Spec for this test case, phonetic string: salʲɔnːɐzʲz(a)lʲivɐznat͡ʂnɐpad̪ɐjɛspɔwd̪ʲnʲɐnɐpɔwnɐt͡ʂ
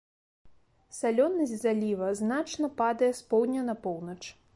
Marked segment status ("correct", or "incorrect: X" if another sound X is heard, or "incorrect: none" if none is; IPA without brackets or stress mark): correct